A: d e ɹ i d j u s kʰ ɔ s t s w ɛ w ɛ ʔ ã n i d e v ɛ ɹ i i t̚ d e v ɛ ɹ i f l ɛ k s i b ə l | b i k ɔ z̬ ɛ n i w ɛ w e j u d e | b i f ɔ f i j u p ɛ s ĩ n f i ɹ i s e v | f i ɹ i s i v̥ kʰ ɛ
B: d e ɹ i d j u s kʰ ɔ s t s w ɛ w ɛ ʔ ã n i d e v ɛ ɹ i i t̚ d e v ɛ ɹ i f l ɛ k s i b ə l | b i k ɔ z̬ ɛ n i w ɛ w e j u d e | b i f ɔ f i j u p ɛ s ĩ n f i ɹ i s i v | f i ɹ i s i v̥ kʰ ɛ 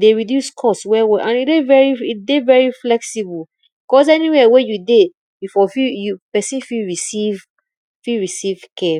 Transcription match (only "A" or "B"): B